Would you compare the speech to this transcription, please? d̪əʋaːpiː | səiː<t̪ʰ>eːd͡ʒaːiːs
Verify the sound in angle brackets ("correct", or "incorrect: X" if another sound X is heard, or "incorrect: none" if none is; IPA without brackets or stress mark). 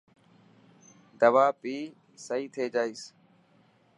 correct